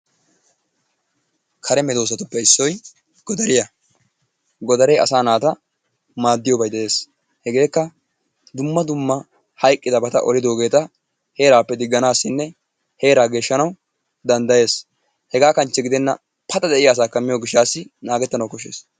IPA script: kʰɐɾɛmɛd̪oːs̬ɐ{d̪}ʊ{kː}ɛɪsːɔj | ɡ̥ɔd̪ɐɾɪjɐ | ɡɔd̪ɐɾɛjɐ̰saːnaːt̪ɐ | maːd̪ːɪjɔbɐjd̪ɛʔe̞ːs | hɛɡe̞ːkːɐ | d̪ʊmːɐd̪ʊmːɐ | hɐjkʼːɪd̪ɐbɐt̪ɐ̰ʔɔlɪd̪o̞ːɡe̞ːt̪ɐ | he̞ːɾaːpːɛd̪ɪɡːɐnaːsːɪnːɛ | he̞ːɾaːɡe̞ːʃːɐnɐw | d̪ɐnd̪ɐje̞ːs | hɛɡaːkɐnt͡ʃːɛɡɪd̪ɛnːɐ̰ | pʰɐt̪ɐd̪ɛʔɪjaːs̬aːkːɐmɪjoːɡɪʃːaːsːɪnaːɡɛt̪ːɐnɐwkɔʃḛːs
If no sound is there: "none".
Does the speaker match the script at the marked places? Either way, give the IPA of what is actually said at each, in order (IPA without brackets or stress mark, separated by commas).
t̪, pː